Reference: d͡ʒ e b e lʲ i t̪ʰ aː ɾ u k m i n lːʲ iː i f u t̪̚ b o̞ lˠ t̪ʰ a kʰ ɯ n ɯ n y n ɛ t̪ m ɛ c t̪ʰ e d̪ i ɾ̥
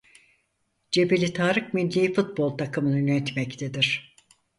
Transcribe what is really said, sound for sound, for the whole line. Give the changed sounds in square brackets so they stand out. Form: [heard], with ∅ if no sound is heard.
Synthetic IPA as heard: d͡ʒ e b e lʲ i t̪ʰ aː ɾ [ɯ] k m i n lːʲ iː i f u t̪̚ b o̞ lˠ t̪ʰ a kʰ ɯ [m] ɯ n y n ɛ t̪ m ɛ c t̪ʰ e d̪ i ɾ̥